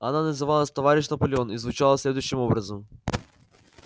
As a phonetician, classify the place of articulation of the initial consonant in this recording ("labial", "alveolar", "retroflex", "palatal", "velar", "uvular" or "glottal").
alveolar